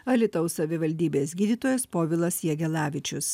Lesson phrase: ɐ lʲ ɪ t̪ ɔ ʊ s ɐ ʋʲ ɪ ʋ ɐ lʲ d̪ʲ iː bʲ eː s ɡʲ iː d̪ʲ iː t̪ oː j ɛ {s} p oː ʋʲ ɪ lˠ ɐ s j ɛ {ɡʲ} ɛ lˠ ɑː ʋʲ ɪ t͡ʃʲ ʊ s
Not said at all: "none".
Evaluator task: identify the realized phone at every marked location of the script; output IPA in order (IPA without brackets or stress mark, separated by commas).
s, ɡʲ